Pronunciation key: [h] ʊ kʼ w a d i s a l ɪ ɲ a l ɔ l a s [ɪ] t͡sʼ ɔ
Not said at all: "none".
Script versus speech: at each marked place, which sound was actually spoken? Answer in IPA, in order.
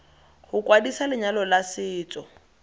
h, ɪː

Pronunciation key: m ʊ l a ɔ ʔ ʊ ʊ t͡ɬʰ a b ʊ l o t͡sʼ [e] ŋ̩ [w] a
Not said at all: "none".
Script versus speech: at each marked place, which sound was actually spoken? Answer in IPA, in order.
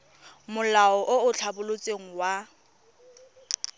e, w

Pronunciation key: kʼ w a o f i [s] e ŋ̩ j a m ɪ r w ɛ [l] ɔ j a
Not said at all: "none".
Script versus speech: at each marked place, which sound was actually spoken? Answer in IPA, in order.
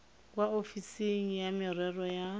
s, r

